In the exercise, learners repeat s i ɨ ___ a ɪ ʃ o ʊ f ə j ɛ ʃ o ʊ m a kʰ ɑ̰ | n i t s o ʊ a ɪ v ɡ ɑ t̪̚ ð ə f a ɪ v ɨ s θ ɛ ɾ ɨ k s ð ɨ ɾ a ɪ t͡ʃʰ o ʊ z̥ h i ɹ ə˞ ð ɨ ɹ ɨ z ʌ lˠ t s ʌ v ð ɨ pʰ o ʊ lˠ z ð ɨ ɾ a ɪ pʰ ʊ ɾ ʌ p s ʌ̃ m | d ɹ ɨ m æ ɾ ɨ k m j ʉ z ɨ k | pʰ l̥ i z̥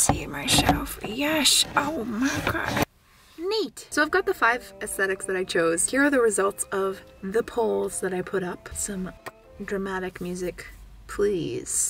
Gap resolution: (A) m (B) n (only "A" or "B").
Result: A